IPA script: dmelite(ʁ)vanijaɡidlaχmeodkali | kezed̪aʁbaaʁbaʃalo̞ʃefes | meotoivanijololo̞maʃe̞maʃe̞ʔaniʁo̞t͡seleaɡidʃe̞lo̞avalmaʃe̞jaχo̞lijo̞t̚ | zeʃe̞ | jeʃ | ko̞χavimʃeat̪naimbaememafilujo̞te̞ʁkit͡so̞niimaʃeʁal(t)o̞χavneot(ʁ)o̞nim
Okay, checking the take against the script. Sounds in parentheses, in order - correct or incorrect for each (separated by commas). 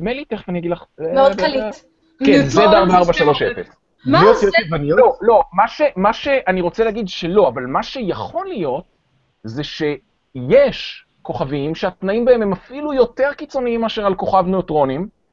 incorrect, incorrect, correct